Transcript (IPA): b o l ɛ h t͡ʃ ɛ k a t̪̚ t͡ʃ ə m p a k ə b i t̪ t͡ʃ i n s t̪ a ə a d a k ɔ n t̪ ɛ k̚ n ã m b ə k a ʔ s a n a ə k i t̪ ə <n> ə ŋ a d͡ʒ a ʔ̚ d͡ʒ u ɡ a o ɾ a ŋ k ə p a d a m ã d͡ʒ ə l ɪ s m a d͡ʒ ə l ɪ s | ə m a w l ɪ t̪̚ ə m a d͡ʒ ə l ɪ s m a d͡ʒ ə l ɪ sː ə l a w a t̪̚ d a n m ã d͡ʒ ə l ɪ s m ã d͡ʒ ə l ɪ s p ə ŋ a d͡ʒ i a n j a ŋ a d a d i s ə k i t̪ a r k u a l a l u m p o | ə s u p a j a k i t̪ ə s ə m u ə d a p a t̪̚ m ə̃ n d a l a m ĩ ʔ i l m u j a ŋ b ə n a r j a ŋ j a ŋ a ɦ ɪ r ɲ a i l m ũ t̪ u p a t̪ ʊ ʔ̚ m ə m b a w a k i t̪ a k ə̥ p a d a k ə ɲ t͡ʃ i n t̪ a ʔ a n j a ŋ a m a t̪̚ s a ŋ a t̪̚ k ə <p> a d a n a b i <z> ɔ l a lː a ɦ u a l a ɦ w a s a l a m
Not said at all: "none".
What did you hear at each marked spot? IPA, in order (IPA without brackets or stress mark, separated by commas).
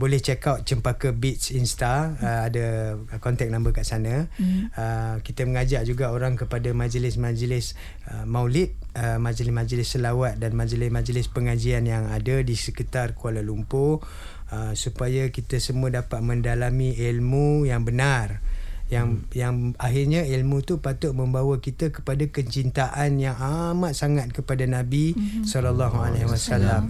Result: m, p, s